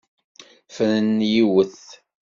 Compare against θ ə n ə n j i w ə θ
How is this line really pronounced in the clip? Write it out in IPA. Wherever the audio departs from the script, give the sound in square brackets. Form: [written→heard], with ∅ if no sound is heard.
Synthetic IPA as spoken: [θ→f] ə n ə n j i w ə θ